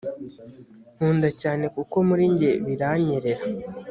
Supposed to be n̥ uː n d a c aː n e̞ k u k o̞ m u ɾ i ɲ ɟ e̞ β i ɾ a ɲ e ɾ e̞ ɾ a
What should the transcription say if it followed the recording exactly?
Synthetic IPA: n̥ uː n d a c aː n e̞ k u k o̞ m u ɾ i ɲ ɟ e̞ β i ɾ a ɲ e ɾ e̞ ɾ a